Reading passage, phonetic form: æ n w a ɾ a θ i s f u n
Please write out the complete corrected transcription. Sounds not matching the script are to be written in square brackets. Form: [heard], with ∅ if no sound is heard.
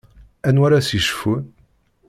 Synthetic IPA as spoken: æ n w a ɾ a [s] i [ʃ] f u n